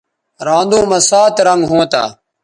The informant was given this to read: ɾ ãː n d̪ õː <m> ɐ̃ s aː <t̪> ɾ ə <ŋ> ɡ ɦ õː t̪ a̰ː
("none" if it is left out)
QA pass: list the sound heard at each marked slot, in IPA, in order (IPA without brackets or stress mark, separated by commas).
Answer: m, t̪, ŋ